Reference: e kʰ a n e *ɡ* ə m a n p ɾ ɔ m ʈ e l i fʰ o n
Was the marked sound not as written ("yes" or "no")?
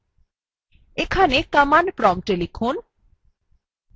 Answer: yes